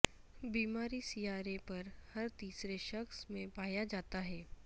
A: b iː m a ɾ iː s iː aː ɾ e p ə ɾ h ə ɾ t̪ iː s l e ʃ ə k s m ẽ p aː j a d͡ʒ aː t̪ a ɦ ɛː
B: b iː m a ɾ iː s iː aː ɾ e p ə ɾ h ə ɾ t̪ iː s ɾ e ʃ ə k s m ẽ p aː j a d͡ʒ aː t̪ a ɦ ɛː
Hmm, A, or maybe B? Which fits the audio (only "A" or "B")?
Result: B